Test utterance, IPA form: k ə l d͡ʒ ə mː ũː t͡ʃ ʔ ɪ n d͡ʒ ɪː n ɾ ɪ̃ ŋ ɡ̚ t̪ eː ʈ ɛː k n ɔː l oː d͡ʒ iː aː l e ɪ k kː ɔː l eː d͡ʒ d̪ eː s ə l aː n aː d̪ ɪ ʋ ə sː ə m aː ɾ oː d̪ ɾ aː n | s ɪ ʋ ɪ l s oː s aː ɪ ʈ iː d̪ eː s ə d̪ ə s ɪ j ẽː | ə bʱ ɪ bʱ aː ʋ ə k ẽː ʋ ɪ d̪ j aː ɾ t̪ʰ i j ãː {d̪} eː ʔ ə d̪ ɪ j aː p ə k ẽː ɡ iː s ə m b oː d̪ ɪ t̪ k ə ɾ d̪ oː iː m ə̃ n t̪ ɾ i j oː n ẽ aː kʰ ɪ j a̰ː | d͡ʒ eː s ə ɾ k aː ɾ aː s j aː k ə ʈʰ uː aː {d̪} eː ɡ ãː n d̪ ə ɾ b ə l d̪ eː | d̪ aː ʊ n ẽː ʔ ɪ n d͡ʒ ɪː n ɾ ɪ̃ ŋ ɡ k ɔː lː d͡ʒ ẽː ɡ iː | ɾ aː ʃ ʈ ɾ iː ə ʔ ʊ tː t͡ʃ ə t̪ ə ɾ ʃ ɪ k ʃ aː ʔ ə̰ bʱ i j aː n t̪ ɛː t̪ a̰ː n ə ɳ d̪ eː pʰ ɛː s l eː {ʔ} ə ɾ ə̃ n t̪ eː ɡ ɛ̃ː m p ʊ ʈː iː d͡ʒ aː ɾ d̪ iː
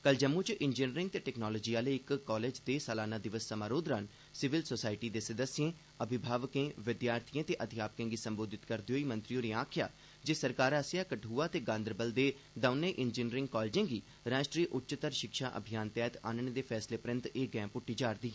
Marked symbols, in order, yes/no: no, no, no

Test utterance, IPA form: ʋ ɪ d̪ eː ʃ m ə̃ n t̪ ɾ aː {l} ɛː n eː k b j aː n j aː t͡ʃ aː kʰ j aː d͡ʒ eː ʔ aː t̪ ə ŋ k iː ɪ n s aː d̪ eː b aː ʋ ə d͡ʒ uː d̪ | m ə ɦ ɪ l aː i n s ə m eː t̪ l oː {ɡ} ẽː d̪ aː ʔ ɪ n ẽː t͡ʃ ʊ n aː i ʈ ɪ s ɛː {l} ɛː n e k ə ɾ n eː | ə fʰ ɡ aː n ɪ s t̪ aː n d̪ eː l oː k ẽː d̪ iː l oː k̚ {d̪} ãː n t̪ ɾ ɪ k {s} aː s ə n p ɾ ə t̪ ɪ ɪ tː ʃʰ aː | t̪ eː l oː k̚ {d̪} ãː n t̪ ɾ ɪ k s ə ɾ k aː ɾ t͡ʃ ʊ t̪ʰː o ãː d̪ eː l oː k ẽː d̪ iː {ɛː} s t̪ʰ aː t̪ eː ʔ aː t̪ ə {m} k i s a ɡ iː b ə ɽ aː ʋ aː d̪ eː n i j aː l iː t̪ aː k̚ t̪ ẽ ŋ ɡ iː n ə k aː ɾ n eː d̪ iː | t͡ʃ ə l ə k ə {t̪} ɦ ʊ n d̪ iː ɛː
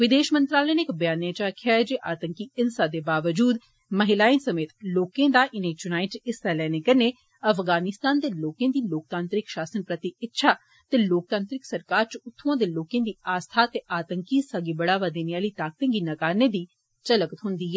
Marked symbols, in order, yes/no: yes, no, yes, no, no, no, no, no, yes

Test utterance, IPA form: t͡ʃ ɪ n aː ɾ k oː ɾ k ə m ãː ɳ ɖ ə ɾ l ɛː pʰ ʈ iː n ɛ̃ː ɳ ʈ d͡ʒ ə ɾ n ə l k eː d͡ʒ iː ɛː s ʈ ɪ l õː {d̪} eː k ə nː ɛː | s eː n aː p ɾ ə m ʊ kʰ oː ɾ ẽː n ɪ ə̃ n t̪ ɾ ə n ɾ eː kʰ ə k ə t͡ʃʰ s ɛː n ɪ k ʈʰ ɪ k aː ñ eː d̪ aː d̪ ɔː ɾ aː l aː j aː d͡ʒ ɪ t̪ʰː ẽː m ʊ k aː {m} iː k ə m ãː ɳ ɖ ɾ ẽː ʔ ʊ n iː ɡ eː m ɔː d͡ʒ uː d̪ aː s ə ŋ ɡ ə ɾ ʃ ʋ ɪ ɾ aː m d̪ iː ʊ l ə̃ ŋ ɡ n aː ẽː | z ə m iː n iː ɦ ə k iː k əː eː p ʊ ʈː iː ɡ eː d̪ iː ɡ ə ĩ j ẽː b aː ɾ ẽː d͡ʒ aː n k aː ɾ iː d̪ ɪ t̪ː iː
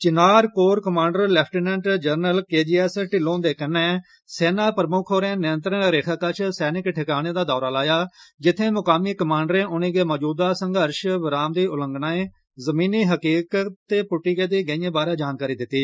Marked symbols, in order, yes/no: yes, yes

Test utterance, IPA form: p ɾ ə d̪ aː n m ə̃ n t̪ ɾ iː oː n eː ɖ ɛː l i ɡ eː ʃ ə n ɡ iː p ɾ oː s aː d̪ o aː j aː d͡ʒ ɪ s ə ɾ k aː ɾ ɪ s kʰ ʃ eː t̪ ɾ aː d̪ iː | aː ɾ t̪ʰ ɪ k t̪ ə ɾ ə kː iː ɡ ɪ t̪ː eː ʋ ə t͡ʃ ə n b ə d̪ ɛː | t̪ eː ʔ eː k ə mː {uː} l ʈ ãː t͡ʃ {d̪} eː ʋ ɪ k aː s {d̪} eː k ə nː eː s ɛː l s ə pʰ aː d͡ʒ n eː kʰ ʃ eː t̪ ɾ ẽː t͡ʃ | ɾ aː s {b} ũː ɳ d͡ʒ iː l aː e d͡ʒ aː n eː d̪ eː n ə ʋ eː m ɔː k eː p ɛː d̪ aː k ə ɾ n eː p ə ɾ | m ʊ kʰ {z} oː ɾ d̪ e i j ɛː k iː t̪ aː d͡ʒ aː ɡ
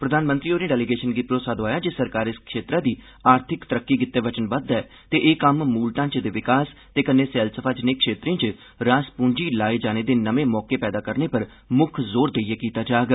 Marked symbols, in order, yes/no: yes, yes, no, no, yes

